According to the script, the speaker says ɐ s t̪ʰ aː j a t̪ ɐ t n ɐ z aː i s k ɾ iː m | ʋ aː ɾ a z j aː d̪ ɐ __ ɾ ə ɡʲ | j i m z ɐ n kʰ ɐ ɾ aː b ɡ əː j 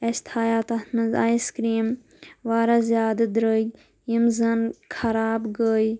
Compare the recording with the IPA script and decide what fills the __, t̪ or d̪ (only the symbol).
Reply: d̪